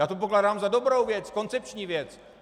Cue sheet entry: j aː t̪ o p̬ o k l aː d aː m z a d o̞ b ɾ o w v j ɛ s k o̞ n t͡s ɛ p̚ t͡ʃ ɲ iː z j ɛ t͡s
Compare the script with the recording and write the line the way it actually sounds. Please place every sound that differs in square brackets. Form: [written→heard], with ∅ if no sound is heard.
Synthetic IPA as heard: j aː t̪ o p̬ o k l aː d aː m z a d o̞ b ɾ o w v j ɛ [s→t͡s] k o̞ n t͡s ɛ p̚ t͡ʃ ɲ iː [z→v] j ɛ t͡s